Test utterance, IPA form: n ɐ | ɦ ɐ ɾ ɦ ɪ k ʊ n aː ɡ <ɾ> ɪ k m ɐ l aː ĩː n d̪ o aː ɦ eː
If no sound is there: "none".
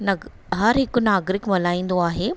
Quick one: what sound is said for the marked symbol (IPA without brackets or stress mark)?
ɾ